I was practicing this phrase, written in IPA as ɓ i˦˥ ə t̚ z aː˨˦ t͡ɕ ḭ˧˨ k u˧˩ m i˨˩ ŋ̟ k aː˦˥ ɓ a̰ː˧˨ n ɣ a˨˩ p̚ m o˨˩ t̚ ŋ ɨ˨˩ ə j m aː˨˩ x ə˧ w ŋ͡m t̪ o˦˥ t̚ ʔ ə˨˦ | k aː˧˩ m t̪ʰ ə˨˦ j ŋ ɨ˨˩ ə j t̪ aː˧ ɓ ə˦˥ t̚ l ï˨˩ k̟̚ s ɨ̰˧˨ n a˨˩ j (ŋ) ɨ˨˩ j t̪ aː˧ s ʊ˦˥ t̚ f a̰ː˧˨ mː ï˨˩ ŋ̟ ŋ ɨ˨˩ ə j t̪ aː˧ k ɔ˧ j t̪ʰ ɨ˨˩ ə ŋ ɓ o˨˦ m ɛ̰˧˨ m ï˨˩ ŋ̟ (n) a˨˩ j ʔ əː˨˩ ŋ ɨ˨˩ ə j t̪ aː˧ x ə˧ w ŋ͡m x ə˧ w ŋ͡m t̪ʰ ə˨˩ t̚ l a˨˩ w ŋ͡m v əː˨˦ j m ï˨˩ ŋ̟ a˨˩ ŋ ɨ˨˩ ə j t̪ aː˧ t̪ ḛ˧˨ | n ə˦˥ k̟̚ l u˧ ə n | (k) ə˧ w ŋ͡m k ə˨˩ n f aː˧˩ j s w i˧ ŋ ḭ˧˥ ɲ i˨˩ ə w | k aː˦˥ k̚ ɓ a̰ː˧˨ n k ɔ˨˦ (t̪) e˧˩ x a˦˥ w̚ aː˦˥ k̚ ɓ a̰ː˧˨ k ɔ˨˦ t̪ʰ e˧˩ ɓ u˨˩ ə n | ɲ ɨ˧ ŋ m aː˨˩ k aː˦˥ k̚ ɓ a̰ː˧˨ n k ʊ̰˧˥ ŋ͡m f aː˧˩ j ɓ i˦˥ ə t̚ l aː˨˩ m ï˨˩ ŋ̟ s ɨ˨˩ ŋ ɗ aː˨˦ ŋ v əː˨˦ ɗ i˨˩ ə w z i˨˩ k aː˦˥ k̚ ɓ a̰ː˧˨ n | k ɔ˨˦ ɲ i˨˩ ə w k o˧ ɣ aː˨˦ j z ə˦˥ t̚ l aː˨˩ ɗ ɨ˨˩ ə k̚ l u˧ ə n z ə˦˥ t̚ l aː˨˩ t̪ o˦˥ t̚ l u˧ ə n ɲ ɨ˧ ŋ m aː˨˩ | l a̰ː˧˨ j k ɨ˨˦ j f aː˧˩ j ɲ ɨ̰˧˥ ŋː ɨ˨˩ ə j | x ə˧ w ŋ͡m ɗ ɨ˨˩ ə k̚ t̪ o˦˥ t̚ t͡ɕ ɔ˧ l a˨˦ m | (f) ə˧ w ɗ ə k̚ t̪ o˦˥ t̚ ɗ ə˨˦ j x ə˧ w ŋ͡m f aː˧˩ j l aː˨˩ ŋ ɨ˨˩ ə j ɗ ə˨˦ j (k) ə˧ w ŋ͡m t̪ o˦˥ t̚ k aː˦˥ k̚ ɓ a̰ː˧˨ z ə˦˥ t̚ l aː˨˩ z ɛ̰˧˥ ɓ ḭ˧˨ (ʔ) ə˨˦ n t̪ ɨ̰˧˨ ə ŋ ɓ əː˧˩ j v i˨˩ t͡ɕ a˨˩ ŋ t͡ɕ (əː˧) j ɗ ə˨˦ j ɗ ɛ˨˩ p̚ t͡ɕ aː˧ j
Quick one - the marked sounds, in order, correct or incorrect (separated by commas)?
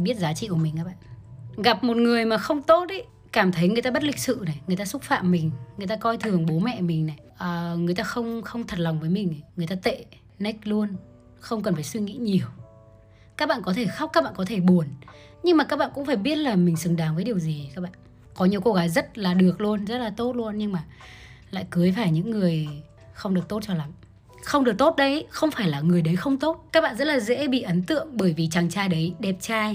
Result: correct, correct, incorrect, incorrect, incorrect, incorrect, correct, incorrect